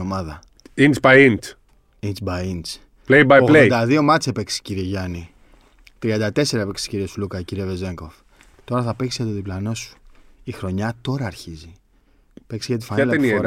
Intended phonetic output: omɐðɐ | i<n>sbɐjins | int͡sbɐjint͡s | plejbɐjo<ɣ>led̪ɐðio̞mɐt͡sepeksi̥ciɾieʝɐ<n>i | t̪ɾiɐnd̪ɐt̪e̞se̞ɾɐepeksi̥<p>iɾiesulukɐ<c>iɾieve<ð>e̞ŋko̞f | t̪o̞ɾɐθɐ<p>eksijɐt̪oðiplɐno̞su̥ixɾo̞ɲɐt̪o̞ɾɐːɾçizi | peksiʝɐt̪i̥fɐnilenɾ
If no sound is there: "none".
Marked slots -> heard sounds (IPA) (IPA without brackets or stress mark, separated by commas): n, ɣ, n, c, c, z, p